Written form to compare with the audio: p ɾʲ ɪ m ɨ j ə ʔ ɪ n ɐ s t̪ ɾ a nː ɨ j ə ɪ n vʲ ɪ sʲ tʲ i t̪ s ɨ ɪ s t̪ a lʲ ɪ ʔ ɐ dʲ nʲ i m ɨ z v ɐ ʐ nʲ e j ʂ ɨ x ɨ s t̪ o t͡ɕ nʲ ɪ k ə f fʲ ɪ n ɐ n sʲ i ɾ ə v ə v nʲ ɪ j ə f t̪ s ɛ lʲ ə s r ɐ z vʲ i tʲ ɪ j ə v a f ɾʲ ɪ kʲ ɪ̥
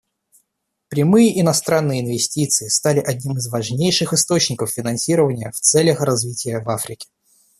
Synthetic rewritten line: p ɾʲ ɪ m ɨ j ə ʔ ɪ n ɐ s t̪ ɾ a nː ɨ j ə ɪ n vʲ ɪ sʲ tʲ i t̪ s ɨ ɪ s t̪ a lʲ ɪ ʔ ɐ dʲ nʲ i m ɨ z v ɐ ʐ nʲ e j ʂ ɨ x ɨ s t̪ o t͡ɕ nʲ ɪ k ə f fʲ ɪ n ɐ n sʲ i ɾ ə v ə nʲ ɪ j ə f t̪ s ɛ lʲ ə x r ɐ z vʲ i tʲ ɪ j ə v a f ɾʲ ɪ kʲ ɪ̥